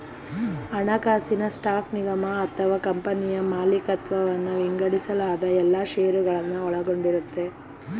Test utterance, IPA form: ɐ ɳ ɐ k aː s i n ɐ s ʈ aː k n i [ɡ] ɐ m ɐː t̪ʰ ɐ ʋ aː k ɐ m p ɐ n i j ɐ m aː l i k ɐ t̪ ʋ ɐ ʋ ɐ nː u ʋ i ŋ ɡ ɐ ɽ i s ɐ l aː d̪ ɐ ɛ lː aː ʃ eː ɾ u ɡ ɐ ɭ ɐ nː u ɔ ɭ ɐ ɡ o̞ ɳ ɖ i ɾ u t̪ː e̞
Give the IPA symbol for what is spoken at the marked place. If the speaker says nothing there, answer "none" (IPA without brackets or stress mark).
ɡ